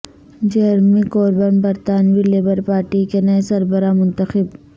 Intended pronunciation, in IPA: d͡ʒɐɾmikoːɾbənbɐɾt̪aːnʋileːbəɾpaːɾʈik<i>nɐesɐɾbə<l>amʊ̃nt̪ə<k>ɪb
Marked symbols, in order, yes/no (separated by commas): no, no, no